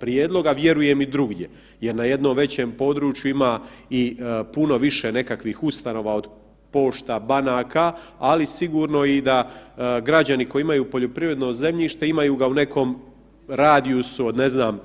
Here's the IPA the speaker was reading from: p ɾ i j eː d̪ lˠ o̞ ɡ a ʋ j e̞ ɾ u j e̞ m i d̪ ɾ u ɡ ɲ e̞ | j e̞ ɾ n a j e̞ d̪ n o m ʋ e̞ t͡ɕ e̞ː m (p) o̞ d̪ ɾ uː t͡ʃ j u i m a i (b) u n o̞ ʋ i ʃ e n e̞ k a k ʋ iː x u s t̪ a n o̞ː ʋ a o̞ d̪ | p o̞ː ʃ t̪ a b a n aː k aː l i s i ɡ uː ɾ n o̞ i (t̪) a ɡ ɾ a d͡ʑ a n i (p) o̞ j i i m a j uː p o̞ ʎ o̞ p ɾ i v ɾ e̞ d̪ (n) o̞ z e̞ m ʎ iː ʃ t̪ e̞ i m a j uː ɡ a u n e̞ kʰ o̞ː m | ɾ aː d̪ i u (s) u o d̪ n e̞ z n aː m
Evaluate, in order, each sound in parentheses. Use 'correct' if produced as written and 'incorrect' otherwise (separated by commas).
correct, incorrect, incorrect, incorrect, correct, correct